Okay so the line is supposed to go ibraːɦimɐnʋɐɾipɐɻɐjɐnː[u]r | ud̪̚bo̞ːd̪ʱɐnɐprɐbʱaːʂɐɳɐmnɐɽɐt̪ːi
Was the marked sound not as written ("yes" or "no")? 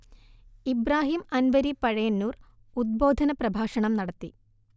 yes